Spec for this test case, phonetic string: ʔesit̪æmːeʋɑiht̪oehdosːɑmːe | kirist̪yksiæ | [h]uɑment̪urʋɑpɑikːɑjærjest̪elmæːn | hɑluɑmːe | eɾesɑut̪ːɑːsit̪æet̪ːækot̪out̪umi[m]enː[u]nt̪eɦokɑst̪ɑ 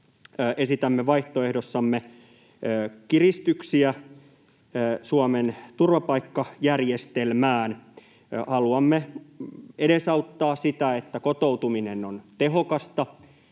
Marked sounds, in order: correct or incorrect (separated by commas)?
incorrect, incorrect, incorrect